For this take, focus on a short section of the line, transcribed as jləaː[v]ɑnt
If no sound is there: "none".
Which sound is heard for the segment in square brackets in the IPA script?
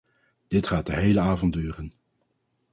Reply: v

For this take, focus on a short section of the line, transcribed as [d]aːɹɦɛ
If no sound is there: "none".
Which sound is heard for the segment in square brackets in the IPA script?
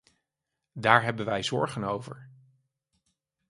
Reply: d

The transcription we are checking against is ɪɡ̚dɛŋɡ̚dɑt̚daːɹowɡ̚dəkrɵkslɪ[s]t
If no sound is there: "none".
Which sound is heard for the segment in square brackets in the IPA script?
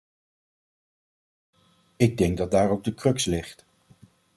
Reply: χ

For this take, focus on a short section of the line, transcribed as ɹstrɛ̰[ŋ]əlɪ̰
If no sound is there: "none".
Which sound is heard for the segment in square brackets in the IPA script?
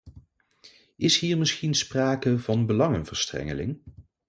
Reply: ŋ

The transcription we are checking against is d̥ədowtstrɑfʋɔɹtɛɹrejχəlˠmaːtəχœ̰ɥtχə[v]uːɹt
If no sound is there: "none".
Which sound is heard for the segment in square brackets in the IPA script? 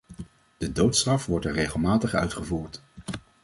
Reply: v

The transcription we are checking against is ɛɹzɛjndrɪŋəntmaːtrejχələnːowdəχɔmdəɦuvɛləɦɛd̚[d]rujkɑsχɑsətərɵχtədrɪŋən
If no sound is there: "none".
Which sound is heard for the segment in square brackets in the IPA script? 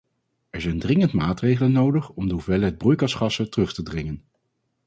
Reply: b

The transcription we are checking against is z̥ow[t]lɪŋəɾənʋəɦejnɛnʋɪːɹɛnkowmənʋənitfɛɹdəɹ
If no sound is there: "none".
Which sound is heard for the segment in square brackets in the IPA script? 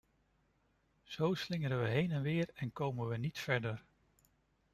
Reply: s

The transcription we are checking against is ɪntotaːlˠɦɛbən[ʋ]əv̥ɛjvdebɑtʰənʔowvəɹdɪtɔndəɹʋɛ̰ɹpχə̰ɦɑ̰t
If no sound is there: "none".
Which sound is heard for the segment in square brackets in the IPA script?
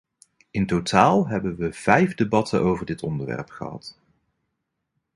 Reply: ʋ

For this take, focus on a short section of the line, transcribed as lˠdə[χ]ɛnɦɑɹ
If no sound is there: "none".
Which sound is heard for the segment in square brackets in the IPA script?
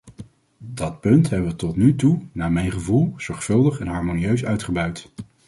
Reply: χ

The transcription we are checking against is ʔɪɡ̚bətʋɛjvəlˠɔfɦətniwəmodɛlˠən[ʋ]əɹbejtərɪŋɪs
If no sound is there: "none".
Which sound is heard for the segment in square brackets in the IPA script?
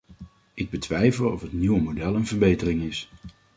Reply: v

